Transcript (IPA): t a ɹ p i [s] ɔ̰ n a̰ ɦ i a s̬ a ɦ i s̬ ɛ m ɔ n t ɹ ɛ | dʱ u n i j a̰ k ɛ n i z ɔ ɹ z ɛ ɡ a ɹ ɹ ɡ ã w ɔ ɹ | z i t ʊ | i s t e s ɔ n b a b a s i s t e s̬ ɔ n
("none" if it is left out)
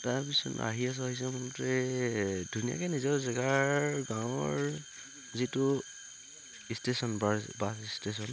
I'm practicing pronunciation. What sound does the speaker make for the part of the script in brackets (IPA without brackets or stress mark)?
s